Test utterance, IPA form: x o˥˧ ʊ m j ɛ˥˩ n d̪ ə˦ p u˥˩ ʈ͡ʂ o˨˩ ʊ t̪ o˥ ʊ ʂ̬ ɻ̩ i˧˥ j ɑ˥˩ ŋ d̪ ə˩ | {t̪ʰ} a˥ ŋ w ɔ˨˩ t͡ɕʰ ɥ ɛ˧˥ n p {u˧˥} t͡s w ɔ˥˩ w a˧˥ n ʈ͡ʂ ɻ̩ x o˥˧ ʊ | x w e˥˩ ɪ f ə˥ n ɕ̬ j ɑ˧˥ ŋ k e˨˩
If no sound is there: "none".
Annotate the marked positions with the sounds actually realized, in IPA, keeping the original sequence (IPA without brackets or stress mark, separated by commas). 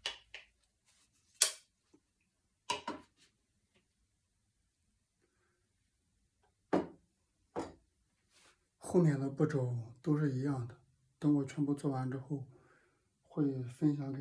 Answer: t̪, u˥˧